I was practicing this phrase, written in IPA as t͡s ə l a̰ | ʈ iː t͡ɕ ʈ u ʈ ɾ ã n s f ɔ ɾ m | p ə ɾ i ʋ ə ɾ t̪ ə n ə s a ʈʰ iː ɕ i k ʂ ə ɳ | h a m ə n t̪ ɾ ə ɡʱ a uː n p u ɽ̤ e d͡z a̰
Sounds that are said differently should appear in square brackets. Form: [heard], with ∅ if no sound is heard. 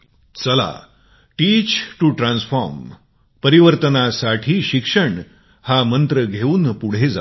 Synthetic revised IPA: t͡s ə l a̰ | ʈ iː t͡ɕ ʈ u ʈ ɾ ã n s f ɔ ɾ m | p ə ɾ i ʋ ə ɾ t̪ ə n [a] s a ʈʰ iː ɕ i k ʂ ə ɳ | h a m ə n t̪ ɾ ə ɡʱ [e] uː n p u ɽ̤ e d͡z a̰

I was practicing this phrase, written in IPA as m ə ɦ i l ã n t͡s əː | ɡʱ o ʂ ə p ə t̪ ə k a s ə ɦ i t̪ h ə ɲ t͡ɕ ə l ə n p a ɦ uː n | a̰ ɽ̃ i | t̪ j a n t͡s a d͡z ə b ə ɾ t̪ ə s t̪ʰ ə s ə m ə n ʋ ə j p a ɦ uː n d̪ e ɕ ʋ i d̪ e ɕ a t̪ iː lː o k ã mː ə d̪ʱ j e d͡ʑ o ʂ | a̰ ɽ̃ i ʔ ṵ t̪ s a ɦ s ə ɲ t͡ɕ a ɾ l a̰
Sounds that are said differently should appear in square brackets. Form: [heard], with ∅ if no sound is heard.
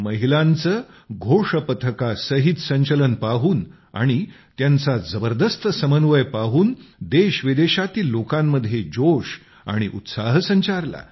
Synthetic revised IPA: m ə ɦ i l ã n t͡s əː | ɡʱ o ʂ ə p ə [t̪ʰ] ə k a s ə ɦ i t̪ [s] ə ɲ t͡ɕ ə l ə n p a ɦ uː n | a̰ ɽ̃ i | t̪ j a n t͡s a d͡z ə b ə ɾ [d̪] ə s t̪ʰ ə s ə m ə n ʋ ə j p a ɦ uː n d̪ e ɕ ʋ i d̪ e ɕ a t̪ iː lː o k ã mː ə d̪ʱ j e d͡ʑ o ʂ | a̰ ɽ̃ i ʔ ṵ t̪ s a ɦ s ə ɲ t͡ɕ a ɾ l a̰

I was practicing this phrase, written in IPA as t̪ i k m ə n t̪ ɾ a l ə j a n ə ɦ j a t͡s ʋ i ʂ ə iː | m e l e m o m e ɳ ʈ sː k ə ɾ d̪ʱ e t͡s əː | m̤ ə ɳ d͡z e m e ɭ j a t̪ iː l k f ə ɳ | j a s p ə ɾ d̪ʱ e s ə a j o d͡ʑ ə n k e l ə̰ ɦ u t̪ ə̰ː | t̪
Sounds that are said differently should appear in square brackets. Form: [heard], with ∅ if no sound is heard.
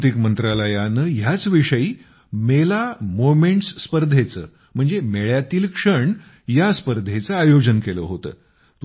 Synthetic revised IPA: t̪ i k m ə n t̪ ɾ a l ə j a n ə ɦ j a t͡s ʋ i ʂ ə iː | m e l [a] m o m e ɳ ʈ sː [p] ə ɾ d̪ʱ e t͡s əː | m̤ ə ɳ d͡z e m e ɭ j a t̪ iː l k [ʂ] ə ɳ | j a s p ə ɾ d̪ʱ e [t͡s] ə a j o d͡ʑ ə n k e l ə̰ ɦ [o] t̪ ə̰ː | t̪

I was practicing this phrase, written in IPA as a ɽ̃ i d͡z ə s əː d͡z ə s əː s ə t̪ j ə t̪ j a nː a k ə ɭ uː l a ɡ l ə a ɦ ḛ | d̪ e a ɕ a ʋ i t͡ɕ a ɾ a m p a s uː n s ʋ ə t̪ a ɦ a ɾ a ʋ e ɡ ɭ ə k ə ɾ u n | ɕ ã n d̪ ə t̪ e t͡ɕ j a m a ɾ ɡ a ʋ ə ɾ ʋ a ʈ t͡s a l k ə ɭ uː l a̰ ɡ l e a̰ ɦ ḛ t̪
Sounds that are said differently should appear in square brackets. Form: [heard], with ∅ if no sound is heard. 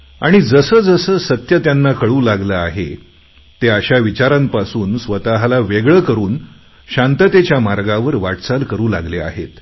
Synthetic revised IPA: a ɽ̃ i d͡z ə s əː d͡z ə s əː s ə t̪ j ə t̪ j a nː a k ə ɭ uː l a ɡ l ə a ɦ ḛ | [t̪] e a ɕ a ʋ i t͡ɕ a ɾ a m p a s uː n s ʋ ə t̪ a ɦ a [l] a ʋ e ɡ ɭ ə k ə ɾ [uː] n | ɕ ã n [t̪] ə t̪ e t͡ɕ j a m a ɾ ɡ a ʋ ə ɾ ʋ a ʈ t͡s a l k ə [ɾ] uː l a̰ ɡ l e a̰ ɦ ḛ t̪

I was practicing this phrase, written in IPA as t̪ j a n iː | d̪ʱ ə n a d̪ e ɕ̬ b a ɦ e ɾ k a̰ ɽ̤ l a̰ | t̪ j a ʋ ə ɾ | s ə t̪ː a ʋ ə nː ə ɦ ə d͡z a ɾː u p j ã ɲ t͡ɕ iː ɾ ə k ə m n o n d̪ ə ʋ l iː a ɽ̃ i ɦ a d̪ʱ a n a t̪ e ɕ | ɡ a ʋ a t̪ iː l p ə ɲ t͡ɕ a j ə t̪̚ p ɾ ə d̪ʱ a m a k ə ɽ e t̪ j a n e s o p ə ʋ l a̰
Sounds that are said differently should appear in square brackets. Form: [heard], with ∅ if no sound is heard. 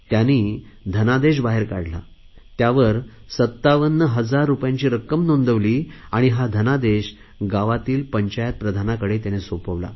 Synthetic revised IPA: t̪ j a n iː | d̪ʱ ə n a d̪ e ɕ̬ b a ɦ e ɾ k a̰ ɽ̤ l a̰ | t̪ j a ʋ ə ɾ | s ə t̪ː a ʋ ə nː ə ɦ ə d͡z a ɾː u p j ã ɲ t͡ɕ iː ɾ ə k ə m n o n d̪ ə ʋ l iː a ɽ̃ i ɦ a d̪ʱ [ə] n a [d̪] e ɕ | ɡ a ʋ a t̪ iː l p ə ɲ t͡ɕ a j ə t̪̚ p ɾ ə d̪ʱ a [n] a k ə ɽ e t̪ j a n e s o p ə ʋ l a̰

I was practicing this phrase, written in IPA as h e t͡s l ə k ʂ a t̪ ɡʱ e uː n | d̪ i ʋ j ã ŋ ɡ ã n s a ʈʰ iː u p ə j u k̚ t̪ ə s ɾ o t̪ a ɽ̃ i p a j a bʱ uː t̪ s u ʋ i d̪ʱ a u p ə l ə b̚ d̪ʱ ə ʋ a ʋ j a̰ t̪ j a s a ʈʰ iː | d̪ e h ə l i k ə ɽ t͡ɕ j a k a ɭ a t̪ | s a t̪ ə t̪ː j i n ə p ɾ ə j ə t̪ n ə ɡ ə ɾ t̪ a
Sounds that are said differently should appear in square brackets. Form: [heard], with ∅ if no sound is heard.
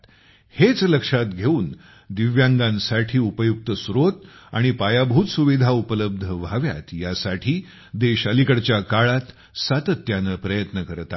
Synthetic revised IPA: h e t͡s l ə k ʂ a t̪ ɡʱ e uː n | d̪ i ʋ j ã ŋ ɡ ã n s a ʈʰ iː u p ə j u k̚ t̪ ə s ɾ o t̪ a ɽ̃ i p a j a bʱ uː t̪ s u ʋ i d̪ʱ a u p ə l ə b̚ d̪ʱ ə ʋ a ʋ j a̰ t̪ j a s a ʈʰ iː | d̪ e [ɕ] ə l i k ə ɽ t͡ɕ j a k a ɭ a t̪ | s a t̪ ə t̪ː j [a] n ə p ɾ ə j ə t̪ n ə [k] ə ɾ t̪ a

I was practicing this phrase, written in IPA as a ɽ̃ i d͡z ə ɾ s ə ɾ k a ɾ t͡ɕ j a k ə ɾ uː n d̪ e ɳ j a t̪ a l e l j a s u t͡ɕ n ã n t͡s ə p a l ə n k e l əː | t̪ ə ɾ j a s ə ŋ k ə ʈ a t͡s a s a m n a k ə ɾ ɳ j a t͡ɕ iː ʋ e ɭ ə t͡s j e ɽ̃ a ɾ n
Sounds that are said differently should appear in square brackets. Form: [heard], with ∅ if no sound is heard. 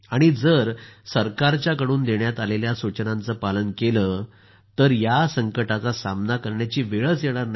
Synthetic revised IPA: a ɽ̃ i d͡z ə ɾ s ə ɾ k a ɾ t͡ɕ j a k ə [ɽ] uː n d̪ e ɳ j a t̪ a l e l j a s u t͡ɕ n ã n t͡s ə p a l ə n k e l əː | t̪ ə ɾ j a s ə ŋ k ə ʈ a t͡s a s a m n a k ə ɾ ɳ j a t͡ɕ iː ʋ e ɭ ə t͡s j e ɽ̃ a ɾ n

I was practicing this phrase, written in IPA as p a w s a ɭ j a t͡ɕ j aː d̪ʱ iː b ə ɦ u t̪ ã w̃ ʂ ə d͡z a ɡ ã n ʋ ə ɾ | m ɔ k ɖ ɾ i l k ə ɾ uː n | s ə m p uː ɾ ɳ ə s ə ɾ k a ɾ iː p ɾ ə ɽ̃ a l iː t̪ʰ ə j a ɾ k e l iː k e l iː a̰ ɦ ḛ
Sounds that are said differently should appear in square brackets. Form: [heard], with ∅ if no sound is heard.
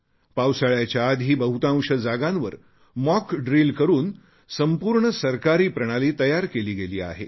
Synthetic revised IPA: p a w s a ɭ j a t͡ɕ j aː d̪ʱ iː b ə ɦ u t̪ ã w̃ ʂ ə d͡z a ɡ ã n ʋ ə ɾ | m ɔ k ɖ ɾ i l k ə ɾ uː n | s ə m p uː ɾ ɳ ə s ə ɾ k a ɾ iː p ɾ ə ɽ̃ a l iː [t̪] ə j a ɾ k e l iː [ɡ] e l iː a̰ ɦ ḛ

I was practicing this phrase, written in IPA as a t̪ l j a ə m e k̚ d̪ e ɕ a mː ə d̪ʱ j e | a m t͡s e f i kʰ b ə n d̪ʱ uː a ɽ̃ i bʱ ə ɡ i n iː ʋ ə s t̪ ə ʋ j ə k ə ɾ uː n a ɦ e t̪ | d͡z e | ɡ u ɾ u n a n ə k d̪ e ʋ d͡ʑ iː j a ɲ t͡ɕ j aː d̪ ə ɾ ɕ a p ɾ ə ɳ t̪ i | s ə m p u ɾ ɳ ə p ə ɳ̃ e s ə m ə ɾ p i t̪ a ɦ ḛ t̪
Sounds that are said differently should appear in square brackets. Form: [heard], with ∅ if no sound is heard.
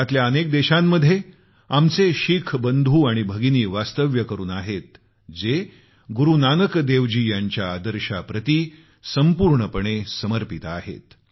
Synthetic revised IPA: a t̪ l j a ə [n] e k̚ d̪ e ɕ a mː ə d̪ʱ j e | a m t͡s e [ɕ] i kʰ b ə n d̪ʱ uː a ɽ̃ i bʱ ə ɡ i n iː ʋ [a] s t̪ ə ʋ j ə k ə ɾ uː n a ɦ e t̪ | d͡z e | ɡ u ɾ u n a n ə k d̪ e ʋ d͡ʑ iː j a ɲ t͡ɕ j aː d̪ ə ɾ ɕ a p ɾ ə [∅] t̪ i | s ə m p u ɾ ɳ ə p ə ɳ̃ e s ə m ə ɾ p i t̪ a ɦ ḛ t̪

